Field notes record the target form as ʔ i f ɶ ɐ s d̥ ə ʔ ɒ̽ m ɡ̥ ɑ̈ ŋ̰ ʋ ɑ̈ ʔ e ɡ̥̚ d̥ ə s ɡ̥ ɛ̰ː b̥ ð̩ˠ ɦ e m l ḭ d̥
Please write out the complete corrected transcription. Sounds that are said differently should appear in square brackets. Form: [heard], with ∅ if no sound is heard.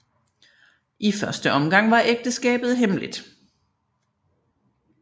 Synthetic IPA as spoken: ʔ i f ɶ ɐ s d̥ ə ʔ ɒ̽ m ɡ̥ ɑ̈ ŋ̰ ʋ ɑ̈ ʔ e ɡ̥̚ d̥ ə s ɡ̥ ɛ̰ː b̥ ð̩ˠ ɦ e m l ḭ d̥